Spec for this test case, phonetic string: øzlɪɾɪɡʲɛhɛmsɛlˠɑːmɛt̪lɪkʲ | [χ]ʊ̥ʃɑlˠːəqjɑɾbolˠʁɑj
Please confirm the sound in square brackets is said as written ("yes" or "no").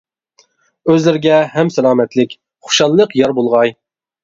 yes